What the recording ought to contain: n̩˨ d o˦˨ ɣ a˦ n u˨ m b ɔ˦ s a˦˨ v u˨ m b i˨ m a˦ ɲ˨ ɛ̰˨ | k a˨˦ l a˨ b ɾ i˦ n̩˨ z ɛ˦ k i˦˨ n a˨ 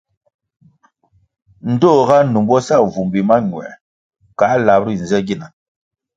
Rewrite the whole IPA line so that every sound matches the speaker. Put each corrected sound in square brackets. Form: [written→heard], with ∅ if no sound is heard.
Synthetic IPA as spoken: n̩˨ d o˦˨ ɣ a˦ n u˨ m b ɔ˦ s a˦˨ v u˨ m b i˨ m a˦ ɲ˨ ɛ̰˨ | k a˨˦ l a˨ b ɾ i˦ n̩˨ z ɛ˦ [k→ɡ] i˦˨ n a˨